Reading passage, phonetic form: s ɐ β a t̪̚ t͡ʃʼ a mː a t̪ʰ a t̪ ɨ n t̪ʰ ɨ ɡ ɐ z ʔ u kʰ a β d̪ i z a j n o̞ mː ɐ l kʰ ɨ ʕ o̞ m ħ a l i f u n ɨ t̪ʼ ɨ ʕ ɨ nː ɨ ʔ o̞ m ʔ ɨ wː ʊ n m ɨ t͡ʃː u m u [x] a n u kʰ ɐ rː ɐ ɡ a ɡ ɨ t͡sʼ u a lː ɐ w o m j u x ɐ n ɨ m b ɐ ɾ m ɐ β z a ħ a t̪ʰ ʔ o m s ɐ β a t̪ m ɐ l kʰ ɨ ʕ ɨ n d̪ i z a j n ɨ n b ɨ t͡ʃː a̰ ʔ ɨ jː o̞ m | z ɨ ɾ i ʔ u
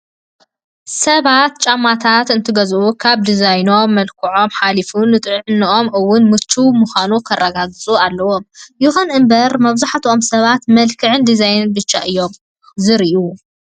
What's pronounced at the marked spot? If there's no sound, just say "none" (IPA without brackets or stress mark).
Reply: x